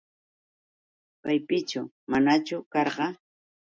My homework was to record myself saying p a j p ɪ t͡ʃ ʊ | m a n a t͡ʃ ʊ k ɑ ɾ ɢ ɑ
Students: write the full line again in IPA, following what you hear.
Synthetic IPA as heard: p a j p ɪ t͡ʃ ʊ | m a n a t͡ʃ ʊ k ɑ ɾ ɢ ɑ